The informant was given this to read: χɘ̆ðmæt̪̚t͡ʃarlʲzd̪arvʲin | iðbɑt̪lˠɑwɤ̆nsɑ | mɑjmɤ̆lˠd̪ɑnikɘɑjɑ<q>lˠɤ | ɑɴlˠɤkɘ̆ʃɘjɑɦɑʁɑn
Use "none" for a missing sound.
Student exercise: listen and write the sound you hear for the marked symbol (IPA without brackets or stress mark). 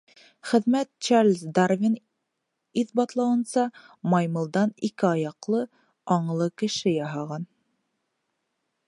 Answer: q